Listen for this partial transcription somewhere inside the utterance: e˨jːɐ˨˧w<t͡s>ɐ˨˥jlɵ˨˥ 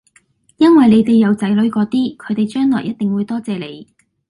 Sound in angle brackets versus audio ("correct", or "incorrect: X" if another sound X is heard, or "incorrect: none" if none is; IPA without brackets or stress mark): correct